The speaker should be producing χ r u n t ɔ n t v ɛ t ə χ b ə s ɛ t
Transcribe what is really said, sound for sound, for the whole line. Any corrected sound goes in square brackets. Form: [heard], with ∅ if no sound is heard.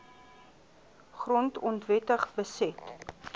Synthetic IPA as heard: χ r [ɔ] n t ɔ n t v ɛ t ə χ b ə s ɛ t